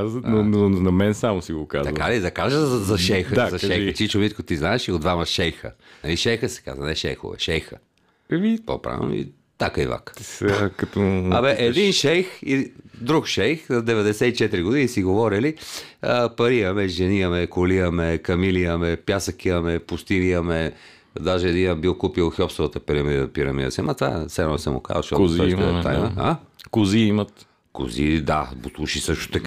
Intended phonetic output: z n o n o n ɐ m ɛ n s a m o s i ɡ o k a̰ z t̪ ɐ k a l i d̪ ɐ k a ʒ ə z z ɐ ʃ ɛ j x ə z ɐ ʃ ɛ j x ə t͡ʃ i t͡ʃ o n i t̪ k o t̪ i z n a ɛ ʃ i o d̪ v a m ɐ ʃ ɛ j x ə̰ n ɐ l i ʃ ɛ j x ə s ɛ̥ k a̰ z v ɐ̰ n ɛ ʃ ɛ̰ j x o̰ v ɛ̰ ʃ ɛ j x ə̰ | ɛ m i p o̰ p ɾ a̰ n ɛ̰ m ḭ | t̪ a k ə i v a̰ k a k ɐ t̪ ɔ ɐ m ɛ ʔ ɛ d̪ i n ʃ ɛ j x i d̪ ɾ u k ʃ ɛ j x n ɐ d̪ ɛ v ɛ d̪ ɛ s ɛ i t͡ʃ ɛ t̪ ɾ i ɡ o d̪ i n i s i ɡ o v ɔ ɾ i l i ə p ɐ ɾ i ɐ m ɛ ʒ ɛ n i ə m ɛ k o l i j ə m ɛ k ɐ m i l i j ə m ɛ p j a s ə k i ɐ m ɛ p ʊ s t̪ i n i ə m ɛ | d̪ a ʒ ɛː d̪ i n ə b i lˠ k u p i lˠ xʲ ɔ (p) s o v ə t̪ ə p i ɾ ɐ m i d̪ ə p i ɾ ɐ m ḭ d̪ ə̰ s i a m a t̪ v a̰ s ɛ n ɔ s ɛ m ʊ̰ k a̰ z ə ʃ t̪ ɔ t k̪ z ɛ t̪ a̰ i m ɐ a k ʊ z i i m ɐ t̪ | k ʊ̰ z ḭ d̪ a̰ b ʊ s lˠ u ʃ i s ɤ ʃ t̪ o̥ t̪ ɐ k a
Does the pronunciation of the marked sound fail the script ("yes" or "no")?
no